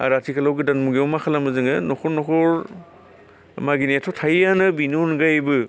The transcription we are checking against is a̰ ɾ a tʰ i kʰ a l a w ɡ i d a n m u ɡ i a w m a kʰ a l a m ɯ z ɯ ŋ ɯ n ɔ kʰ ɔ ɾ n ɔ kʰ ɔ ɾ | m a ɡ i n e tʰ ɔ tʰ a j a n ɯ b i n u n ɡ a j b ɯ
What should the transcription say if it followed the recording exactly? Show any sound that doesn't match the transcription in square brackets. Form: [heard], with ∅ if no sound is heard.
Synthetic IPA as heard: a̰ ɾ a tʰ i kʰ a l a w ɡ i d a n m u ɡ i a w m a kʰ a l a m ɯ z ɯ ŋ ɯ n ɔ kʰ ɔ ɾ n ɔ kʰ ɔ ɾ | m a ɡ i n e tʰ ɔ tʰ a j a n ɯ b i n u n ɡ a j b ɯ